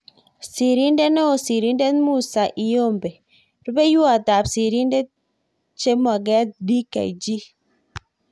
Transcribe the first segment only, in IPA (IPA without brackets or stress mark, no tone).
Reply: s